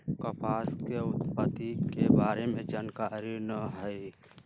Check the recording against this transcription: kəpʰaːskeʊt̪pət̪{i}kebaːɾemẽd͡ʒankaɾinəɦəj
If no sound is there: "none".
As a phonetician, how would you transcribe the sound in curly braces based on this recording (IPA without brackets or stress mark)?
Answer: i